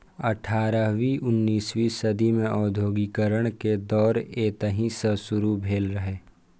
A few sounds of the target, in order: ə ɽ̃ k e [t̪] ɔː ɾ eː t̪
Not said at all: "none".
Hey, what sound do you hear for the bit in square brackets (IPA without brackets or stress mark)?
d̪